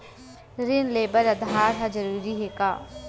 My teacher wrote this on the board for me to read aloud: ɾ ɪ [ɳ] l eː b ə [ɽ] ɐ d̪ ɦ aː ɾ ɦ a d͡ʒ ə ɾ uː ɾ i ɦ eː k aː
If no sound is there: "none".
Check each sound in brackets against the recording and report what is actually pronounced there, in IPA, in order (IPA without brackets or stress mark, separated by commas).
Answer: n, ɾ